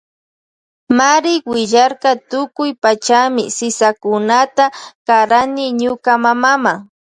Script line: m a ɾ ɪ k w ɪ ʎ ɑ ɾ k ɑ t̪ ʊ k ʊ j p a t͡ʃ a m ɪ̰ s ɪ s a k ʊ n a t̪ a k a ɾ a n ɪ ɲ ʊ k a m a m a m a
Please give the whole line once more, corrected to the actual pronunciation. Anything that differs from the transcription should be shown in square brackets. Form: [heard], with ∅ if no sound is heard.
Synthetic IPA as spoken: m a ɾ ɪ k w ɪ ʎ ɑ ɾ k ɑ t̪ ʊ k ʊ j p a t͡ʃ a m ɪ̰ s ɪ s a k ʊ n a t̪ a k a ɾ a n ɪ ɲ ʊ k a m a m a m a